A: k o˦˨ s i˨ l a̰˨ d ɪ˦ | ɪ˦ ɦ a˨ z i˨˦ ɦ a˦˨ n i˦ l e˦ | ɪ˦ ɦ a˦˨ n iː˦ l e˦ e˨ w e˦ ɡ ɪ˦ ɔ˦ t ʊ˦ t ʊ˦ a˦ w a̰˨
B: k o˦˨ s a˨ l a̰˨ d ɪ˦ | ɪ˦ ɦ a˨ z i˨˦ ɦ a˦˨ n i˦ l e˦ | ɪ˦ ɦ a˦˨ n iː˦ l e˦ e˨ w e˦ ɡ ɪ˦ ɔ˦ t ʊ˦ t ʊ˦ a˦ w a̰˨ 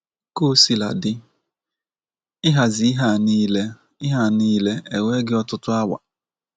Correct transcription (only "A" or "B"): A